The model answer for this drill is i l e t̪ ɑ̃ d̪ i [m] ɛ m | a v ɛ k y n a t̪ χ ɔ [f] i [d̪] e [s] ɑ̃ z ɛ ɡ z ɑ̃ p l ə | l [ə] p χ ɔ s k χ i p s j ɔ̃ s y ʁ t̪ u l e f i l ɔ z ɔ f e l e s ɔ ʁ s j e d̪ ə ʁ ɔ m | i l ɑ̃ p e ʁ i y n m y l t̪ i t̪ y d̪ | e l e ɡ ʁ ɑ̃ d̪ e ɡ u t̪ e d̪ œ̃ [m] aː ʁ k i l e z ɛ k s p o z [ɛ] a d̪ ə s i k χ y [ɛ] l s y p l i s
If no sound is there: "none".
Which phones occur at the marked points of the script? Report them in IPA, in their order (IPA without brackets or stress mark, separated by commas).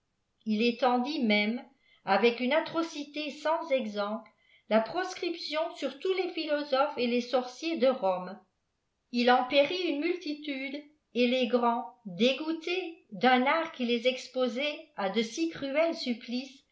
m, s, t̪, s, a, n, ɛ, ɛ